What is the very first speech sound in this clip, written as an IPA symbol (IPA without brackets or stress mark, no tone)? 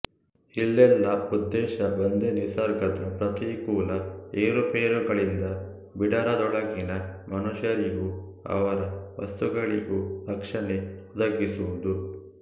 i